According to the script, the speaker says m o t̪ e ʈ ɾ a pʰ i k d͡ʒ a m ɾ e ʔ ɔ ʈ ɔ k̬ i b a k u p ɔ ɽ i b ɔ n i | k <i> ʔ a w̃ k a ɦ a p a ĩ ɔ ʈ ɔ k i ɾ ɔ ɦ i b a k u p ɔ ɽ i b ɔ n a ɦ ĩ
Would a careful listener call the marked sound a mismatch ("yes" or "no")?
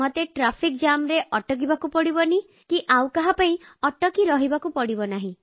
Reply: no